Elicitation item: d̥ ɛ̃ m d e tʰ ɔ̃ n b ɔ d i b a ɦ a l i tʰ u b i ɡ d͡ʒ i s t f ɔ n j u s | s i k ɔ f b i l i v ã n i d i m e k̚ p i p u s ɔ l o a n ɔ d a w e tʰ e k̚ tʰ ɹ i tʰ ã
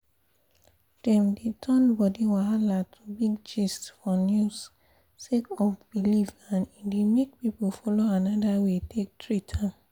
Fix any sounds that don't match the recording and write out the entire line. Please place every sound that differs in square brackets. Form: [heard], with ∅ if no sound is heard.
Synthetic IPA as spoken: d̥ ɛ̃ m d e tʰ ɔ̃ n b ɔ d i [w] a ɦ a l [a] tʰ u b i ɡ d͡ʒ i s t f ɔ n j u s | s [e] k ɔ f b i l i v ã n i d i m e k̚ p i p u [f] ɔ l o a n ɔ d a w e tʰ e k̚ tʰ ɹ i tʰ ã